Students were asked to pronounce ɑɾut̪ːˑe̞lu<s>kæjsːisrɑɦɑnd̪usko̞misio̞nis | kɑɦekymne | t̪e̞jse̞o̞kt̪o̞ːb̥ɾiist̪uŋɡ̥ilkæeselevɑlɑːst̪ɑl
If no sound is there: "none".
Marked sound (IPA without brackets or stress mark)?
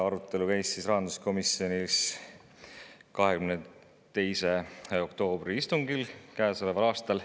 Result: none